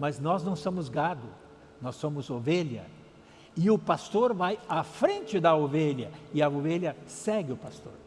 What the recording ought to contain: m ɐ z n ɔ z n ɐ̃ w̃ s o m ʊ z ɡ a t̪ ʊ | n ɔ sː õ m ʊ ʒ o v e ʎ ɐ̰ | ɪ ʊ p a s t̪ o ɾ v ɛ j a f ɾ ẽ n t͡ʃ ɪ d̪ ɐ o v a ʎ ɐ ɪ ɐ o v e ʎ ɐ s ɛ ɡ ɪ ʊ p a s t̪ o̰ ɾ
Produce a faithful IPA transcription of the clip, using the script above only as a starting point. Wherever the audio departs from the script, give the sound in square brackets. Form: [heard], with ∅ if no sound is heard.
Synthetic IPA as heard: m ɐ z n ɔ z n ɐ̃ w̃ s [õ] m ʊ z ɡ a [d̪] ʊ | n ɔ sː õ m ʊ [z] o v e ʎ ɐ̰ | ɪ ʊ p a s t̪ o ɾ v [a] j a f ɾ ẽ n t͡ʃ ɪ d̪ ɐ o v [e] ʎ ɐ ɪ ɐ o v e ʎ ɐ s ɛ ɡ ɪ ʊ p a s t̪ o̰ ɾ